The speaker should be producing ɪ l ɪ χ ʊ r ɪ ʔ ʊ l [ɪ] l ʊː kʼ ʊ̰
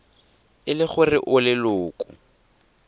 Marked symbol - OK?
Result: yes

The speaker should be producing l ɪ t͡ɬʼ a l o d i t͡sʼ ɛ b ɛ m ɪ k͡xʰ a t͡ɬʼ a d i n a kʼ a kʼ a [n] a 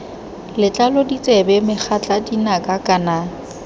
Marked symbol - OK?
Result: yes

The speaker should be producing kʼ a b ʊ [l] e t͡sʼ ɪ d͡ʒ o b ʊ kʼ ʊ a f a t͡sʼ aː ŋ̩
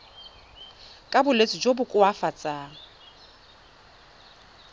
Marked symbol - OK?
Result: yes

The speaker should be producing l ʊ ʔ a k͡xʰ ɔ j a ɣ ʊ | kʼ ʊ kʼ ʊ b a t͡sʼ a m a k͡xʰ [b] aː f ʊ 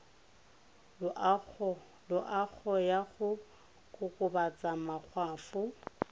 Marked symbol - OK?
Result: no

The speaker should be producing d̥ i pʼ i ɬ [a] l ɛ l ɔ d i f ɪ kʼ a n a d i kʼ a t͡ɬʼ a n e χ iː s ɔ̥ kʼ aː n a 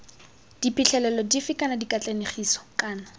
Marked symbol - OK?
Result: no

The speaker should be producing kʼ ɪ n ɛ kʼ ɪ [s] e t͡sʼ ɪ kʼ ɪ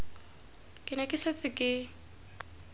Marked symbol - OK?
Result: yes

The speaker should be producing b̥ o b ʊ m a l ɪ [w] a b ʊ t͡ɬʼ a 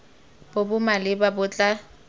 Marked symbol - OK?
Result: no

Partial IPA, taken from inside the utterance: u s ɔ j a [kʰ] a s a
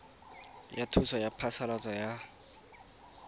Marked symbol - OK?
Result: no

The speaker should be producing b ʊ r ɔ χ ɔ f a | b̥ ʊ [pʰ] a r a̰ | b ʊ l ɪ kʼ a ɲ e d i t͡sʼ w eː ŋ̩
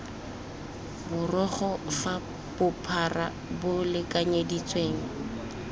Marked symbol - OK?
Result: yes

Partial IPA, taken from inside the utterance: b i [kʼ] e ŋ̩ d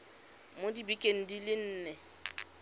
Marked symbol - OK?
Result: yes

